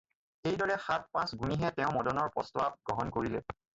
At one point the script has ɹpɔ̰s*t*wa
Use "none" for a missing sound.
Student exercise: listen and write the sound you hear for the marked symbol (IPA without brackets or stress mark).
t